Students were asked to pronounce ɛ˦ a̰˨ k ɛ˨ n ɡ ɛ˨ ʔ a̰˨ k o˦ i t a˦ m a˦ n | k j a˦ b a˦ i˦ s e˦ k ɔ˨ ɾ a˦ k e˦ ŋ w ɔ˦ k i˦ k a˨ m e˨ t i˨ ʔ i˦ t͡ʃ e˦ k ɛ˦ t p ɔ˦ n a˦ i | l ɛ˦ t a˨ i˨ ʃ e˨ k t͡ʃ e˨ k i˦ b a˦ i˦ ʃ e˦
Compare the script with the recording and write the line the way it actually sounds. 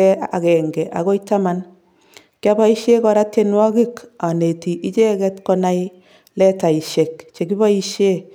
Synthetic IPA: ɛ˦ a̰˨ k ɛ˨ ŋ ɡ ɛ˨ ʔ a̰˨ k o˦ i t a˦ m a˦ n | k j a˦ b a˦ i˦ ʃ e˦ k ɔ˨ ɾ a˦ t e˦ n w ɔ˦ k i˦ k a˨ n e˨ t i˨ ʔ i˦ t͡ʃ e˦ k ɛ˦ t k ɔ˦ n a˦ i | l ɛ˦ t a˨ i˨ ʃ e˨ k t͡ʃ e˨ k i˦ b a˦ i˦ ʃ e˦

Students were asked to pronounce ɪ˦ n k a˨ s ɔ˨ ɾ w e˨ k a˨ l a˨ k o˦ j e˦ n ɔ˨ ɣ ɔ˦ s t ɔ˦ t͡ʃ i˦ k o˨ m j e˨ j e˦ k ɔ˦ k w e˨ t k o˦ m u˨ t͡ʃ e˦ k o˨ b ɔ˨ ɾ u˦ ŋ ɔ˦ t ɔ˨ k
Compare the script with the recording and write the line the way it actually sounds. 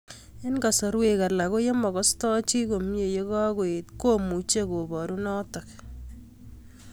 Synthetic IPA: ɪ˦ n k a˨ s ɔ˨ ɾ w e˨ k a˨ l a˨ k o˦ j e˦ m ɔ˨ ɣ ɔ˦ s t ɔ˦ t͡ʃ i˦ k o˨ m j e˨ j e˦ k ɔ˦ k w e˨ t k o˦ m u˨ t͡ʃ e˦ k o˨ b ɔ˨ ɾ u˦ n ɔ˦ t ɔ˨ k

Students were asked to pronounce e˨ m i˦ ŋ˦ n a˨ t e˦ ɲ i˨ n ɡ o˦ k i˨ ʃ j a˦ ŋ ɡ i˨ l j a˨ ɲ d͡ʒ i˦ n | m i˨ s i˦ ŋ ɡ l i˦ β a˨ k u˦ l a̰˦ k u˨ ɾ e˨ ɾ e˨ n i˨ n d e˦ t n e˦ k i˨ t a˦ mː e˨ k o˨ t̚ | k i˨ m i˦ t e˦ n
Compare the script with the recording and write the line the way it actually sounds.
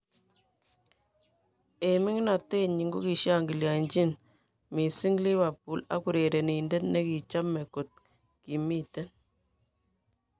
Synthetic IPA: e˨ m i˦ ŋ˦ n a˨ t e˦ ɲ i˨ ŋ ɡ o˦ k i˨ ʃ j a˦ ŋ ɡ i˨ l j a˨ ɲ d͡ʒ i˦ n | m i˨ s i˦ ŋ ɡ l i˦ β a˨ p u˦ l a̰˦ k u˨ ɾ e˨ ɾ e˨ n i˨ n d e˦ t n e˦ k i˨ t͡ʃ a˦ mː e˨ k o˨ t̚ | k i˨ m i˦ t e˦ n

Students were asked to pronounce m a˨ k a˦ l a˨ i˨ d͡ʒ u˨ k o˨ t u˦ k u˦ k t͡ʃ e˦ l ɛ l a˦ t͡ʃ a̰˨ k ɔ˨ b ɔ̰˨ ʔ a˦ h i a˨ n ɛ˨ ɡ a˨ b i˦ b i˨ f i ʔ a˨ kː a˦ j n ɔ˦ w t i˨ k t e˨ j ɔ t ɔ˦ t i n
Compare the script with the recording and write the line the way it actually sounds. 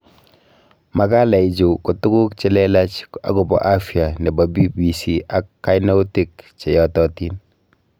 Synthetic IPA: m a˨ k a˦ l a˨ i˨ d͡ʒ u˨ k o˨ t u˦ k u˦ k t͡ʃ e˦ l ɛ l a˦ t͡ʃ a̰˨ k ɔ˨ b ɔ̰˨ ʔ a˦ f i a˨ n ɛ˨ b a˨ b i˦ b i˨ s i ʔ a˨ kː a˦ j n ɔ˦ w t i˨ k t͡ʃ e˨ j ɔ t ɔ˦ t i n

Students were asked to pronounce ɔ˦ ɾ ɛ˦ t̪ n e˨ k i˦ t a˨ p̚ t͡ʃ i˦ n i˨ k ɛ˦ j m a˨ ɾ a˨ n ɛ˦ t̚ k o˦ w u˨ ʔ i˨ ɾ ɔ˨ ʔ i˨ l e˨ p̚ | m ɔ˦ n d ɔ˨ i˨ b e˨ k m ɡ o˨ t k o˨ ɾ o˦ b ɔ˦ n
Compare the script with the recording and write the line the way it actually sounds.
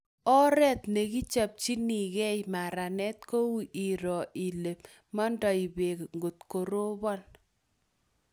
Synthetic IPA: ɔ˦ ɾ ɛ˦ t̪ n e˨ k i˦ t͡ʃ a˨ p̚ t͡ʃ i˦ n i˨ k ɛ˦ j m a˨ ɾ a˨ n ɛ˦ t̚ k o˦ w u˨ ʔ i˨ ɾ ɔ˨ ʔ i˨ l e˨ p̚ | m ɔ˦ n d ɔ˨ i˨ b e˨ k ŋ ɡ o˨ t k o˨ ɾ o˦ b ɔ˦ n

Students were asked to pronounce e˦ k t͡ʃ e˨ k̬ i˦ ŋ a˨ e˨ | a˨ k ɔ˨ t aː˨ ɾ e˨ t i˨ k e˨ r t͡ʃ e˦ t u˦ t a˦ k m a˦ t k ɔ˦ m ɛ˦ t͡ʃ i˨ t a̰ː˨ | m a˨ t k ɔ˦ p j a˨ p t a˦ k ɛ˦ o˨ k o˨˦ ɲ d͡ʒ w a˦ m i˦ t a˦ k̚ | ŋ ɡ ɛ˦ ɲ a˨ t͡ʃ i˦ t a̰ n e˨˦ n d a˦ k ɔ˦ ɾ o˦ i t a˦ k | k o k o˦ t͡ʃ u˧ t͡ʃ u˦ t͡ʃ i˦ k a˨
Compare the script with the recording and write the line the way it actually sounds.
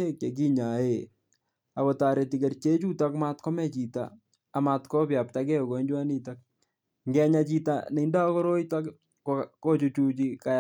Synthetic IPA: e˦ k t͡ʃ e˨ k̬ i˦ ɲ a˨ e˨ | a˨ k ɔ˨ t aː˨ ɾ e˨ t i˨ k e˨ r t͡ʃ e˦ t͡ʃ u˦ t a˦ k m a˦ t k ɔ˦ m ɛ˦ t͡ʃ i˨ t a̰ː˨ | m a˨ t k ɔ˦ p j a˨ p t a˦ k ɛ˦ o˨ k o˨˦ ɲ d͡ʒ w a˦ n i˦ t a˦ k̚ | ŋ ɡ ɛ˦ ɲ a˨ t͡ʃ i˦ t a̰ n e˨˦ n d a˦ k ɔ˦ ɾ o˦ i t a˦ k | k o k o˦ t͡ʃ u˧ t͡ʃ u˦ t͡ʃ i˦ k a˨

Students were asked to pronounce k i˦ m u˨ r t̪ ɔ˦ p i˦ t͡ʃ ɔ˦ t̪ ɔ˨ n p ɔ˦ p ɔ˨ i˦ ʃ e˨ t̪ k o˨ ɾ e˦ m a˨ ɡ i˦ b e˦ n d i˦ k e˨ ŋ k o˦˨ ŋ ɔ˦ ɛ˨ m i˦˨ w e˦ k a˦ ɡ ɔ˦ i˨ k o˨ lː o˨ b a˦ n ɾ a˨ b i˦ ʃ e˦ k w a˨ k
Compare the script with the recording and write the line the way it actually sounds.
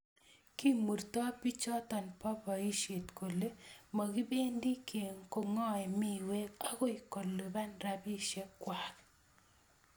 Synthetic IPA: k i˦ m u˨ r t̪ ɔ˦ p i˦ t͡ʃ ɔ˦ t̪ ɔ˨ n p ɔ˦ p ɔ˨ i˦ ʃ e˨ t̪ k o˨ l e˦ m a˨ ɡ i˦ b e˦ n d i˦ k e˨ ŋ k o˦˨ ŋ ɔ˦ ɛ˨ m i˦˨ w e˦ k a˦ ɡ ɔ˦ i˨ k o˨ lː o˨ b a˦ n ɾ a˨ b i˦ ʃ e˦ k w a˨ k

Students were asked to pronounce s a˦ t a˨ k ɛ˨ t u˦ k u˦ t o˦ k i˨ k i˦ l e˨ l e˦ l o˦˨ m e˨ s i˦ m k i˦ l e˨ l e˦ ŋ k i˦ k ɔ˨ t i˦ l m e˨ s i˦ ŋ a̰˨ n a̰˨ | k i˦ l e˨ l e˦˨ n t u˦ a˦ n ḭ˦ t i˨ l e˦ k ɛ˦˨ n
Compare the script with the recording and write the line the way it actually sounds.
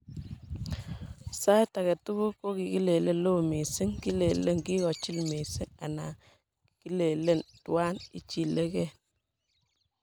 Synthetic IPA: s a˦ t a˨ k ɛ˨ t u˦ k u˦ k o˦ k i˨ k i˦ l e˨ l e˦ l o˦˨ m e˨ s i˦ ŋ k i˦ l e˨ l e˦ ŋ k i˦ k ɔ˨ t͡ʃ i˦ l m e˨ s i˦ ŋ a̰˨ n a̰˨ | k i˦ l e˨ l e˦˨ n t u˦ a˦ n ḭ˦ t͡ʃ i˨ l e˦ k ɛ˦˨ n

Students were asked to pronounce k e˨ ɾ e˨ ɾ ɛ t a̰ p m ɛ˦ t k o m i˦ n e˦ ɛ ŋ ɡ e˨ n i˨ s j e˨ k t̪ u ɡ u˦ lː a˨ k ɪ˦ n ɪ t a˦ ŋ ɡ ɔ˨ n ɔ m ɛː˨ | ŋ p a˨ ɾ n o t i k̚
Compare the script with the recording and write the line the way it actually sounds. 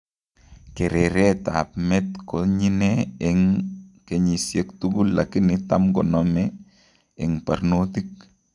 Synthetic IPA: k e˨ ɾ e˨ ɾ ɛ t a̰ p m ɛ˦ t k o ɲ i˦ n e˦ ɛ ŋ k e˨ ɲ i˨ s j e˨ k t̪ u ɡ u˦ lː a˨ k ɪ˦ n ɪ t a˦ m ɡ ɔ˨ n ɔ m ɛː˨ | ŋ p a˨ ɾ n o t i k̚

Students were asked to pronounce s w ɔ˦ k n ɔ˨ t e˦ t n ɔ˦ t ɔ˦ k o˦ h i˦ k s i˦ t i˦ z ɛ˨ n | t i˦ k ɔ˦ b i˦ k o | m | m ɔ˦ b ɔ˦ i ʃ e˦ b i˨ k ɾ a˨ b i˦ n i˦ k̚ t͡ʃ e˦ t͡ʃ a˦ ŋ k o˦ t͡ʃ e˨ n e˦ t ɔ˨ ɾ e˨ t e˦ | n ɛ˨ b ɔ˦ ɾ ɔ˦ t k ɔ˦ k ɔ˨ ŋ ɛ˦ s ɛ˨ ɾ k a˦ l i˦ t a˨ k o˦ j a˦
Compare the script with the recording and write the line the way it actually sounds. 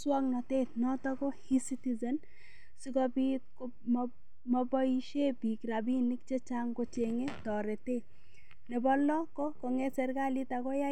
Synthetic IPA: s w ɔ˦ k n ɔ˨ t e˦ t n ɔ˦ t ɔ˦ k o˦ h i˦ s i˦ t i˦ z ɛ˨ n | s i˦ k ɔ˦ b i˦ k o | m | m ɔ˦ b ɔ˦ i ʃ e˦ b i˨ k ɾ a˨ b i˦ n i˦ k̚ t͡ʃ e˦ t͡ʃ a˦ ŋ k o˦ t͡ʃ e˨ ŋ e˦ t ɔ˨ ɾ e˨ t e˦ | n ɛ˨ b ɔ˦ l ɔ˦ k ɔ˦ k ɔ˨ ŋ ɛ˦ s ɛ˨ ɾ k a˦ l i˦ t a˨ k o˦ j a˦

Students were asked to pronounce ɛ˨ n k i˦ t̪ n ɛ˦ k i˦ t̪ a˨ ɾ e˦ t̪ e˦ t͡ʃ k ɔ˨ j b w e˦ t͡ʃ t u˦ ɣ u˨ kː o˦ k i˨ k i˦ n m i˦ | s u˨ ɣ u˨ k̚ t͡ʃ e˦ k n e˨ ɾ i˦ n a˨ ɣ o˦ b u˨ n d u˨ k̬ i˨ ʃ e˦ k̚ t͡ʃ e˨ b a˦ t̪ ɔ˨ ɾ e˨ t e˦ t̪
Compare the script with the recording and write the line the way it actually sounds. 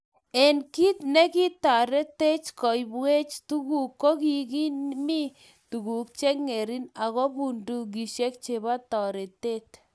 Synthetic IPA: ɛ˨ n k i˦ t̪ n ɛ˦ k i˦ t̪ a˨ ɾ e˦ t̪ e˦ t͡ʃ k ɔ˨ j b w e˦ t͡ʃ t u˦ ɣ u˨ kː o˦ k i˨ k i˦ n m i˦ | t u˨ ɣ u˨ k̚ t͡ʃ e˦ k ŋ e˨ ɾ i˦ n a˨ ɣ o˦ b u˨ n d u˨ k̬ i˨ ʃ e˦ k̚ t͡ʃ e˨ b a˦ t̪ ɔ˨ ɾ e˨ t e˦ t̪

